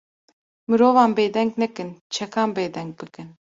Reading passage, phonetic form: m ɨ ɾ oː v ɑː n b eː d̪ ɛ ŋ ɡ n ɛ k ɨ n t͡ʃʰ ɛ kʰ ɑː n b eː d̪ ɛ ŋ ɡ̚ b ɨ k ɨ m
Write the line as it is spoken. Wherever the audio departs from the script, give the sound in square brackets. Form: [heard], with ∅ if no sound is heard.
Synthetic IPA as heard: m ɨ ɾ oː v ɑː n b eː d̪ ɛ ŋ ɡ n ɛ k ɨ n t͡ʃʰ ɛ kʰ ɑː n b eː d̪ ɛ ŋ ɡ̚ b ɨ k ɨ [n]